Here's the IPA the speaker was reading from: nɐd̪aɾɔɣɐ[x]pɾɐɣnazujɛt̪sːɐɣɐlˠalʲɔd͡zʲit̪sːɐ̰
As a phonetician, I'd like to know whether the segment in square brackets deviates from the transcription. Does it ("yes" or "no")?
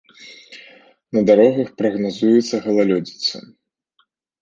no